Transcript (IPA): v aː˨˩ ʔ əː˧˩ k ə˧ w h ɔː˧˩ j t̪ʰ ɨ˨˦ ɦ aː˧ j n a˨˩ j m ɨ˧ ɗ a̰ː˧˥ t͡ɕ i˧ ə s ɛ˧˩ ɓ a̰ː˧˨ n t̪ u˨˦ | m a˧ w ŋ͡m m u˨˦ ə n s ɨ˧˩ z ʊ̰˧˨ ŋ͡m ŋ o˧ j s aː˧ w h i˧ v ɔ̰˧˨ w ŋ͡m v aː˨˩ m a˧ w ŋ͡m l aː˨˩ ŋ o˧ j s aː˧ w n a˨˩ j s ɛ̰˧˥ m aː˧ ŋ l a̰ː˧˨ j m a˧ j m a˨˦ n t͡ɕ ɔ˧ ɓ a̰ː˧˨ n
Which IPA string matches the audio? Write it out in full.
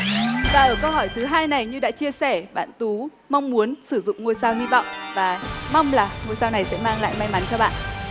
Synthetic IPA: v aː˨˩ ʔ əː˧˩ k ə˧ w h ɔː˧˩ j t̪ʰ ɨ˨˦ ɦ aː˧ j n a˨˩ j ɲ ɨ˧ ɗ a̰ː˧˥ t͡ɕ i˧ ə s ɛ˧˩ ɓ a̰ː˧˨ n t̪ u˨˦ | m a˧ w ŋ͡m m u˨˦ ə n s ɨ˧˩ z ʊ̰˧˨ ŋ͡m ŋ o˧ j s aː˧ w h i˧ v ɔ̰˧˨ w ŋ͡m v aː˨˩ m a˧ w ŋ͡m l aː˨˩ ŋ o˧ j s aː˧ w n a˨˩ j s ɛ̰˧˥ m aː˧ ŋ l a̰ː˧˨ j m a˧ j m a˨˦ n t͡ɕ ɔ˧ ɓ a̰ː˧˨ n

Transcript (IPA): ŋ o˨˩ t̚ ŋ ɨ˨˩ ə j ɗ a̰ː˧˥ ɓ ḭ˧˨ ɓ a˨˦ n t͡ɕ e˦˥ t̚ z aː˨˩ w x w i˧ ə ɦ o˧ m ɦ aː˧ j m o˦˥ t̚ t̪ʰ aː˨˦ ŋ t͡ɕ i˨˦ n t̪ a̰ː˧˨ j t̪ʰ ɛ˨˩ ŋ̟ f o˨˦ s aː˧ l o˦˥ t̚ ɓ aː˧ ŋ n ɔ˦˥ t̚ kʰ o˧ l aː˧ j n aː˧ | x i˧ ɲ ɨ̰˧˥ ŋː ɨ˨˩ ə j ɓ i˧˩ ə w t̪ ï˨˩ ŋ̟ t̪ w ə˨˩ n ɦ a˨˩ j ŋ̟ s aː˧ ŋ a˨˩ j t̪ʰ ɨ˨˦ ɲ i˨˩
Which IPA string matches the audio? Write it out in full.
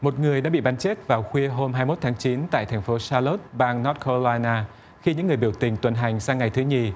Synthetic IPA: m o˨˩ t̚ ŋ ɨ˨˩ ə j ɗ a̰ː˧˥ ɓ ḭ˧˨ ɓ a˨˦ n t͡ɕ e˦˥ t̚ v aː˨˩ w x w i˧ ə ɦ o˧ m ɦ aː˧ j m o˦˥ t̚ t̪ʰ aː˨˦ ŋ t͡ɕ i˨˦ n t̪ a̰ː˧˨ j t̪ʰ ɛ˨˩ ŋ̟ f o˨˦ s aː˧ l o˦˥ t̚ ɓ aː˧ ŋ n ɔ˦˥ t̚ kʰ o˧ l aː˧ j n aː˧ | x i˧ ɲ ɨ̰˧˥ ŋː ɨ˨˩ ə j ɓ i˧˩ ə w t̪ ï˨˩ ŋ̟ t̪ w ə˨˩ n ɦ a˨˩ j ŋ̟ s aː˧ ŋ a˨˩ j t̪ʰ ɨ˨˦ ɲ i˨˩

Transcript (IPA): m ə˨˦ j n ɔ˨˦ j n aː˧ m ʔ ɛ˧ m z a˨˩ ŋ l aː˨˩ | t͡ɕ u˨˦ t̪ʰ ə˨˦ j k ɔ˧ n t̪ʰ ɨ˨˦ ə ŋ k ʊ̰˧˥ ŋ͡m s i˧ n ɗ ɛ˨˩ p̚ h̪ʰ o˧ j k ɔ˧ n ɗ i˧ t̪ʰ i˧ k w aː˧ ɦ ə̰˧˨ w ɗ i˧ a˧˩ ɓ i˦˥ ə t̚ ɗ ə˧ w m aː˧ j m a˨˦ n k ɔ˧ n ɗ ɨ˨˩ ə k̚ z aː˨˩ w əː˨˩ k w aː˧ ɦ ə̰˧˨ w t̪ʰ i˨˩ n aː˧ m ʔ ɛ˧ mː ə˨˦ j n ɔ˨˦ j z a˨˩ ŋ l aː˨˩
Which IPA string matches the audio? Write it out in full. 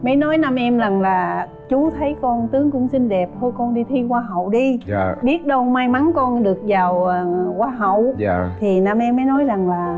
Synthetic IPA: m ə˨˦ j n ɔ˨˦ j n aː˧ m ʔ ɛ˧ m z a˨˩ ŋ l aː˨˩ | t͡ɕ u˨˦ t̪ʰ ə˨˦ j k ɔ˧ n t̪ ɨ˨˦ ə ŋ k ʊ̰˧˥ ŋ͡m s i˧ n ɗ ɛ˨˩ p̚ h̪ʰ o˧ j k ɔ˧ n ɗ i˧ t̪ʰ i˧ k w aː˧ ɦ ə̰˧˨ w ɗ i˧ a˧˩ ɓ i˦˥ ə t̚ ɗ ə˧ w m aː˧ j m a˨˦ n k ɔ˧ n ɗ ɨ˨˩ ə k̚ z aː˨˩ w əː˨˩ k w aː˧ ɦ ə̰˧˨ w t̪ʰ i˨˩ n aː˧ m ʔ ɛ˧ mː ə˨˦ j n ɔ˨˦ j z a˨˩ ŋ l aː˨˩

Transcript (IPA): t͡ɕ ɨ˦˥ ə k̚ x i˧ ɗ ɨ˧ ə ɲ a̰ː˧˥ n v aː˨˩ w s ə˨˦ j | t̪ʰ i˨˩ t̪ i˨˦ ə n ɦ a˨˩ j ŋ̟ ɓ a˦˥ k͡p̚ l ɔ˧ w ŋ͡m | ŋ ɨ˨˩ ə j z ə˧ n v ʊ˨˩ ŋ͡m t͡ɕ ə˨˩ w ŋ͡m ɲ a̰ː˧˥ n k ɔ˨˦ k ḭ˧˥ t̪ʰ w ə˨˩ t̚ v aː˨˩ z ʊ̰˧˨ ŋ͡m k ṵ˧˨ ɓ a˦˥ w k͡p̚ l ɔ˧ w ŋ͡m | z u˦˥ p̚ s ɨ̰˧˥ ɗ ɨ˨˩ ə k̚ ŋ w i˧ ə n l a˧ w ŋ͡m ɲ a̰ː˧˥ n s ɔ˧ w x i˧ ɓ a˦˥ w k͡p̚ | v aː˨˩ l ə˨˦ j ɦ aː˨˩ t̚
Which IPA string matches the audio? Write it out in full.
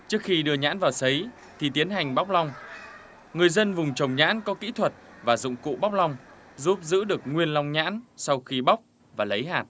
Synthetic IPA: t͡ɕ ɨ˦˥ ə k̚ x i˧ ɗ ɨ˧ ə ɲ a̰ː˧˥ n v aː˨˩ w s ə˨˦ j | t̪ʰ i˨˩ t̪ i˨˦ ə n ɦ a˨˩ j ŋ̟ ɓ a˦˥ k͡p̚ l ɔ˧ w ŋ͡m | ŋ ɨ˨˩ ə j z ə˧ n v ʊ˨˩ ŋ͡m t͡ɕ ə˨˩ w ŋ͡m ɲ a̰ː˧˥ n k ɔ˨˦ k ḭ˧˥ t̪ʰ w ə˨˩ t̚ v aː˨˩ z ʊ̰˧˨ ŋ͡m k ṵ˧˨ ɓ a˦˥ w k͡p̚ l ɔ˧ w ŋ͡m | z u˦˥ p̚ z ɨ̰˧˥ ɗ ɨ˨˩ ə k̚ ŋ w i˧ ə n l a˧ w ŋ͡m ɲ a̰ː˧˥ n s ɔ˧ w x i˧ ɓ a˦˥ w k͡p̚ | v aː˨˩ l ə˨˦ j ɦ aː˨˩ t̚

